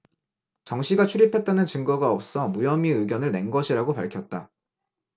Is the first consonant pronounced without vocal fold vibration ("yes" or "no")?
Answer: yes